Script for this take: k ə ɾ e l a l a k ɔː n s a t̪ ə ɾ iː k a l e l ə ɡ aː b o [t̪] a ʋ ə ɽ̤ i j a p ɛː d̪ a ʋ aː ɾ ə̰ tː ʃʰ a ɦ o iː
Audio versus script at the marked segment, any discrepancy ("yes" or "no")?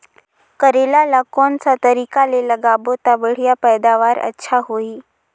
no